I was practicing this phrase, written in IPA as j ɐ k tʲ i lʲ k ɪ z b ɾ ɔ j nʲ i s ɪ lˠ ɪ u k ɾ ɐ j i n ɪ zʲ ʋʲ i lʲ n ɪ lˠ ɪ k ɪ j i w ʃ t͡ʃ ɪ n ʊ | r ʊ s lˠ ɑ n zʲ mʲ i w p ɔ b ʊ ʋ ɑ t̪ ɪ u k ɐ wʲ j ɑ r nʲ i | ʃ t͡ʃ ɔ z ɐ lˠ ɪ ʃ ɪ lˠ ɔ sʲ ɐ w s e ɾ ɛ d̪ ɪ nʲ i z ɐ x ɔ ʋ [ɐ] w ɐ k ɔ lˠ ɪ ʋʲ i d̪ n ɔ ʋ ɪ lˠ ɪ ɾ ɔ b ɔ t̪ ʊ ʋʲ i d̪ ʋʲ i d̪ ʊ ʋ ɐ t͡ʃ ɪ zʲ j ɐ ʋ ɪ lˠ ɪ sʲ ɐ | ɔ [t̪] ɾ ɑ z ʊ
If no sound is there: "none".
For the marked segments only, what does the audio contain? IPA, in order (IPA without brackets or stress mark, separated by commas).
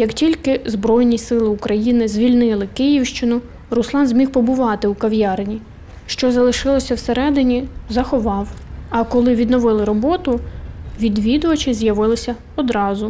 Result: ɑ, d̪